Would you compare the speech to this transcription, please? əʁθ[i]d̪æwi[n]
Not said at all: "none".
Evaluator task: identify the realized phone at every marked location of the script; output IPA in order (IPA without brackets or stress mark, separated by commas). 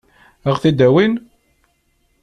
i, n